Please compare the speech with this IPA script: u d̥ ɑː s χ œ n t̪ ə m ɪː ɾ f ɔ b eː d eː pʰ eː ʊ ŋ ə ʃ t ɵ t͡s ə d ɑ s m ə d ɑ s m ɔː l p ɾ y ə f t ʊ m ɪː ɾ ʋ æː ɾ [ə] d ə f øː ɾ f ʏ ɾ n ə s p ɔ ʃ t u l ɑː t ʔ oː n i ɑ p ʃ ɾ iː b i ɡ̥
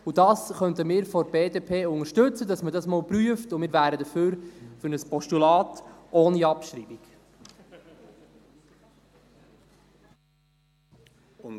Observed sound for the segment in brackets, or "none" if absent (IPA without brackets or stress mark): ə